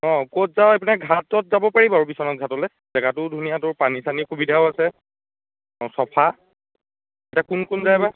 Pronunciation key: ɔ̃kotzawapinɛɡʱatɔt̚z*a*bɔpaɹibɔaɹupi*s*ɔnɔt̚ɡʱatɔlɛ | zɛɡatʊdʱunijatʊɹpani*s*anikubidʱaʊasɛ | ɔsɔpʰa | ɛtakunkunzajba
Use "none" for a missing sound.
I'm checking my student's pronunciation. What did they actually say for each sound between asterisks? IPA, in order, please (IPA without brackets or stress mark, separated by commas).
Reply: a, s, s